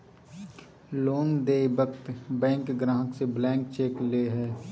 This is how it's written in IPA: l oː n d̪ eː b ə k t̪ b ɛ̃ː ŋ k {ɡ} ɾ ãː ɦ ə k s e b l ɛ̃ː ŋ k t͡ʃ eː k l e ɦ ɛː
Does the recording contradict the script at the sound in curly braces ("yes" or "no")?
no